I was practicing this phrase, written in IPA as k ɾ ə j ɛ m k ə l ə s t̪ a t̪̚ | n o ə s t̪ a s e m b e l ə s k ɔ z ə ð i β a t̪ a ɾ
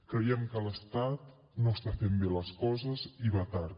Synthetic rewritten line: k ɾ ə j ɛ m k ə l ə s t̪ a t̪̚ | n o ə s t̪ a f e m b e l ə s k ɔ z ə z i β a t̪ a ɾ